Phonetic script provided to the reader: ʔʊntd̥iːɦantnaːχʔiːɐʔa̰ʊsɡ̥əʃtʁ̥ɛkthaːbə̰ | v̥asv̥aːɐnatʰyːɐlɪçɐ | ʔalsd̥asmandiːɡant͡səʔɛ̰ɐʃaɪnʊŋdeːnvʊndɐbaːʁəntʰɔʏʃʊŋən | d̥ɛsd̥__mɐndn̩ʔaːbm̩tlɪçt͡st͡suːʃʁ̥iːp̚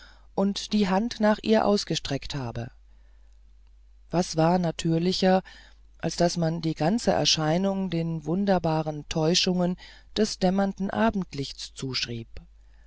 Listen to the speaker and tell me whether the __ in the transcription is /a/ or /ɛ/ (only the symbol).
ɛ